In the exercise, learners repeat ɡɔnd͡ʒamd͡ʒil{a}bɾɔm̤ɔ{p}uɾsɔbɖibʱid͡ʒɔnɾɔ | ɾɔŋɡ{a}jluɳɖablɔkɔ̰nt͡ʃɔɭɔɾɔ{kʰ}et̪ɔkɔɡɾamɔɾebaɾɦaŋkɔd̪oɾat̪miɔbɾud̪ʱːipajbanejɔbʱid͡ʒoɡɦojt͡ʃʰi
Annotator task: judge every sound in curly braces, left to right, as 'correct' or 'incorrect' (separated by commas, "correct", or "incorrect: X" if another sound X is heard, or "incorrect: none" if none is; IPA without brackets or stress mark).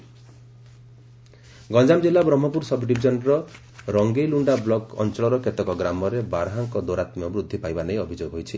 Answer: correct, correct, incorrect: e, incorrect: k